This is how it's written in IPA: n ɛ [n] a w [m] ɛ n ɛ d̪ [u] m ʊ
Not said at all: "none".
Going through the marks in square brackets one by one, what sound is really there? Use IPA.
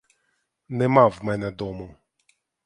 m, m, ɔ

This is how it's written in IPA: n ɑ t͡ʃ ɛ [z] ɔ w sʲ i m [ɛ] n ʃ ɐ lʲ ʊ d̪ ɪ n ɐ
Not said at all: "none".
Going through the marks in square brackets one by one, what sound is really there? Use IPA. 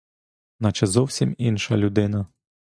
z, i

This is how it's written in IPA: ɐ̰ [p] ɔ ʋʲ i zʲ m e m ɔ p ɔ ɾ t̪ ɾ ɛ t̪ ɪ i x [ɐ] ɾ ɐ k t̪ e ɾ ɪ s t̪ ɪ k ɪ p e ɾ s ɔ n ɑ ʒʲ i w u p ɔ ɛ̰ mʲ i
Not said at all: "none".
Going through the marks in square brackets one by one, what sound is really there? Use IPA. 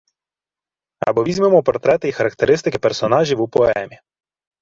b, ɐ

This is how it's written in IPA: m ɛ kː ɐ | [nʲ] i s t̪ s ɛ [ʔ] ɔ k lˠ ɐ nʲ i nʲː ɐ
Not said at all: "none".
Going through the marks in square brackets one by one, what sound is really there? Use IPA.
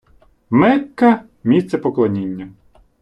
mʲ, p

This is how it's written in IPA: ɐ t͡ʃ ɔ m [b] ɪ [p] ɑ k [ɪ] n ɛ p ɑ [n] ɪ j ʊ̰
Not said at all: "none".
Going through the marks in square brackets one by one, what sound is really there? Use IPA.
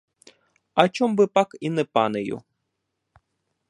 b, p, i, n

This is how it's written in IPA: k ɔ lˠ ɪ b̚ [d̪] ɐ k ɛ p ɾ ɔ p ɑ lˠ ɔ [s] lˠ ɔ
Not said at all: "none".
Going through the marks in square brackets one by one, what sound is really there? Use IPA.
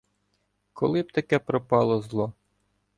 t̪, z

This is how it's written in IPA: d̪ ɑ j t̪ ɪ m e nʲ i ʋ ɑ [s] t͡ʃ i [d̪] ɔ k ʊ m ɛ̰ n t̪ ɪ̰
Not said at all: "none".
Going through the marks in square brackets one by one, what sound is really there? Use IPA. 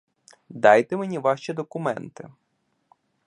ʃ, d̪

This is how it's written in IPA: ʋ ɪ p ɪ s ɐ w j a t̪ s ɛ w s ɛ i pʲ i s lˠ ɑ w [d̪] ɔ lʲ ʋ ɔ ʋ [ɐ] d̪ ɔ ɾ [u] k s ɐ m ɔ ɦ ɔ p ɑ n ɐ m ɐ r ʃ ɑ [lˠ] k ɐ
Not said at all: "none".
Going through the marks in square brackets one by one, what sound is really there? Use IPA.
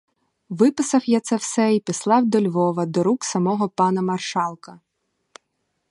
d̪, ɐ, u, lˠ

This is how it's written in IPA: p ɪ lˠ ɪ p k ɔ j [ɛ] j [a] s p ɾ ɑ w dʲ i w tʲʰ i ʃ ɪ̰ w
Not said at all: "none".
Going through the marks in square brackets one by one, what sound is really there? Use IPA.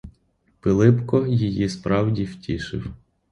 i, i

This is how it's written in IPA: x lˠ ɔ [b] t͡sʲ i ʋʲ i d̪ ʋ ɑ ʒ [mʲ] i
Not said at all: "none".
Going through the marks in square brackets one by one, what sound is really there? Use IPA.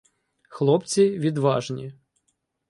p, nʲ

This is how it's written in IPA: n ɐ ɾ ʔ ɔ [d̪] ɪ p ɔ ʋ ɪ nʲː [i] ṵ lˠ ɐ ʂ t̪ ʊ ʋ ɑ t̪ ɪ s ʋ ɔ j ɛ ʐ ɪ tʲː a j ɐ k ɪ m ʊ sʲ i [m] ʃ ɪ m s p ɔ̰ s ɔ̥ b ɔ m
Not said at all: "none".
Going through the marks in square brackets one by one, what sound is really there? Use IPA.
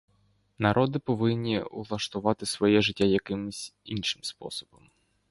d̪, i, n

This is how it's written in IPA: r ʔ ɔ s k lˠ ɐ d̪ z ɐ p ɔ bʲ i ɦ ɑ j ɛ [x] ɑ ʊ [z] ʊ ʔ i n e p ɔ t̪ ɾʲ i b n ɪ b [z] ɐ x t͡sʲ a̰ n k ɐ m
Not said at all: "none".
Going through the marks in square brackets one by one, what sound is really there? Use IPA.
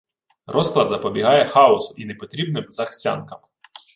x, s, z

